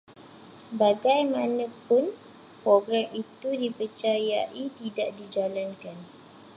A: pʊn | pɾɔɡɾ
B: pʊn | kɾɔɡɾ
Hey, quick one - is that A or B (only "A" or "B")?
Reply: A